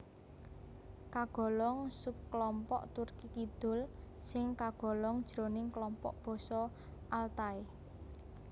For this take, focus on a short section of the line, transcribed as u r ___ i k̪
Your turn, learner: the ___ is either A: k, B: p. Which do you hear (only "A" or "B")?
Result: A